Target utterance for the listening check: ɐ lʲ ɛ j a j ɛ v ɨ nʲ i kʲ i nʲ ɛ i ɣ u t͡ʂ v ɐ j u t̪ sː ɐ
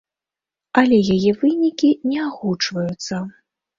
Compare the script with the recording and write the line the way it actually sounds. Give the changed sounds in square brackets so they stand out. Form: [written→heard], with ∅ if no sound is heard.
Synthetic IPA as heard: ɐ lʲ ɛ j a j ɛ v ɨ nʲ i kʲ i nʲ ɛ [i→a] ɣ u t͡ʂ v ɐ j u t̪ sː ɐ